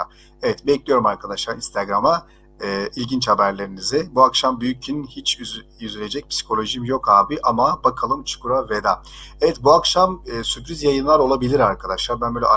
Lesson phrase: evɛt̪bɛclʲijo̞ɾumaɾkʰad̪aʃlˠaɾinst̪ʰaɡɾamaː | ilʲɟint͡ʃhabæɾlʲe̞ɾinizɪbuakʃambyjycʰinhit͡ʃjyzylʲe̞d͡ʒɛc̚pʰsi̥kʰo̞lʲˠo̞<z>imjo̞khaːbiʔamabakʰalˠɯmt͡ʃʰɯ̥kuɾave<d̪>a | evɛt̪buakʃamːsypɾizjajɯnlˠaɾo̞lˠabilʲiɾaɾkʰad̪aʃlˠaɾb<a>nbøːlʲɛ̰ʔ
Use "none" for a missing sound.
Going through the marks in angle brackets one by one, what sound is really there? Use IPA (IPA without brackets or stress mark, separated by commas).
ʒ, d̪, æ